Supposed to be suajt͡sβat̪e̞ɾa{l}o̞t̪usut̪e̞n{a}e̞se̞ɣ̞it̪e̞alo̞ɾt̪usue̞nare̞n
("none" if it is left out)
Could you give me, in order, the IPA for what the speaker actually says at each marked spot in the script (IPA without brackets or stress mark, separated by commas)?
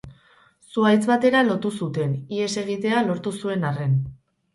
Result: l, i